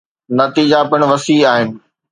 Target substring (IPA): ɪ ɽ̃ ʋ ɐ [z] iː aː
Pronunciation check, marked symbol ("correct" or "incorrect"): incorrect